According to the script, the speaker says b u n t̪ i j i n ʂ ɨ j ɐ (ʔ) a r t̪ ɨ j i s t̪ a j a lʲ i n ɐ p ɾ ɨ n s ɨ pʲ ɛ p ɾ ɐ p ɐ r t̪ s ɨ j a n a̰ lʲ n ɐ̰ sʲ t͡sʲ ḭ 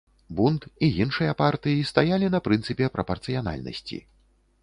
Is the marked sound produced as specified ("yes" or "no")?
no